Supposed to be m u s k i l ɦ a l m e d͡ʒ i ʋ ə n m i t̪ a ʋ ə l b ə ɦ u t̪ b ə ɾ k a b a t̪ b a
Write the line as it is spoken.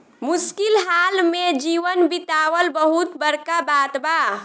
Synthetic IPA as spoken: m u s k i l ɦ a l m e d͡ʒ i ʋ ə n b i t̪ a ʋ ə l b ə ɦ u t̪ b ə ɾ k a b a t̪ b a